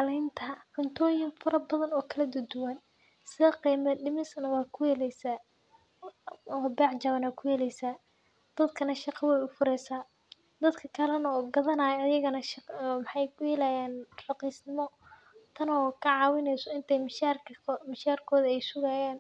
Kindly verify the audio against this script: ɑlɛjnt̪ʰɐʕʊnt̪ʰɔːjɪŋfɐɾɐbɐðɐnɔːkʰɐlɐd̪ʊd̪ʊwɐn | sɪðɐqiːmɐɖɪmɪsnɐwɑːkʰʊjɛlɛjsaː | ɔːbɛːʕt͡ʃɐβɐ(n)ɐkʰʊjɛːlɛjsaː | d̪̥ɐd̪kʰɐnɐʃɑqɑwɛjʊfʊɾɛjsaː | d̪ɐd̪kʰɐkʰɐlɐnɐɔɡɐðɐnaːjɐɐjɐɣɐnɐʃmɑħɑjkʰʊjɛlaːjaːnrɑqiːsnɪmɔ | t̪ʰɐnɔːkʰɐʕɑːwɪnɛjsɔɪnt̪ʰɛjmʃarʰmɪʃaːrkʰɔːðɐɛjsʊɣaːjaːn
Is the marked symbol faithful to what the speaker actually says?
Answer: yes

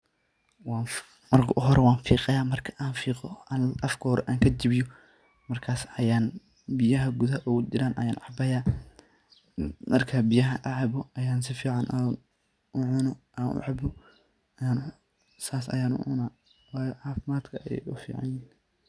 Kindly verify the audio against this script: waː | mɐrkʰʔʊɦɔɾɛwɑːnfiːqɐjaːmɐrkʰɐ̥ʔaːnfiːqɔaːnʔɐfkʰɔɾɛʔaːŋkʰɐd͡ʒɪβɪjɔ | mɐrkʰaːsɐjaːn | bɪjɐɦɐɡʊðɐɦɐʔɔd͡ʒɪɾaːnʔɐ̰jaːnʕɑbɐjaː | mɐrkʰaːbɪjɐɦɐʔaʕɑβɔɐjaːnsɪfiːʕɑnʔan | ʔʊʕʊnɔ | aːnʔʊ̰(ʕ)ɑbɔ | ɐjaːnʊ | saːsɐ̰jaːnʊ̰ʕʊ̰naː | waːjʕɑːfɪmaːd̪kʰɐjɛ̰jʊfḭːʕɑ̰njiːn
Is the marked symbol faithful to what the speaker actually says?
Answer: yes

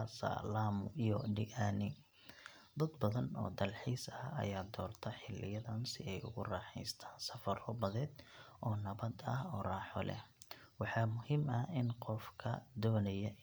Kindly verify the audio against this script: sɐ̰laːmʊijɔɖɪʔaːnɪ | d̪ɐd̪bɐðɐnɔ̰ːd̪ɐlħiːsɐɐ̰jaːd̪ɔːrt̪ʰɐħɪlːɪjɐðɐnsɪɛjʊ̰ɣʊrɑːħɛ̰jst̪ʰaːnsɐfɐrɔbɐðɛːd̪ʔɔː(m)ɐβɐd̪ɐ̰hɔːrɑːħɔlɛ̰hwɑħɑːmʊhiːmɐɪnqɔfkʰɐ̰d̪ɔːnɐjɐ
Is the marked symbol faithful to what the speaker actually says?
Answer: no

